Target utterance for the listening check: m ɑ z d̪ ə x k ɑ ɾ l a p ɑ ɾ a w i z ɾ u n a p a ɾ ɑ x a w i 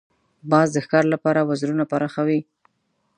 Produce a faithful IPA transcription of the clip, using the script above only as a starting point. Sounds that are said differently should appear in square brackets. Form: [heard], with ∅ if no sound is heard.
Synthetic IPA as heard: [b] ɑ z d̪ ə x k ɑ ɾ l a p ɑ ɾ a w [a] z ɾ u n a p a ɾ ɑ x a w i